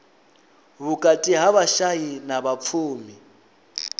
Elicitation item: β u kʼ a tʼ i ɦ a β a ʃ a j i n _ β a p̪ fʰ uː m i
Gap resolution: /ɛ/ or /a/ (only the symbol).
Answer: a